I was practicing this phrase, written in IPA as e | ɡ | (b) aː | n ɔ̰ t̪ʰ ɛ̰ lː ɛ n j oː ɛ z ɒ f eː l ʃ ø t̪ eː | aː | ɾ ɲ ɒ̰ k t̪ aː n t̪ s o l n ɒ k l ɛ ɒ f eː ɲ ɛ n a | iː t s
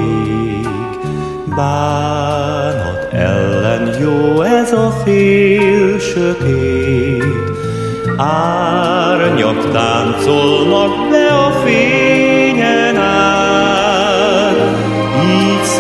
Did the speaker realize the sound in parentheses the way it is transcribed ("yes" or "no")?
yes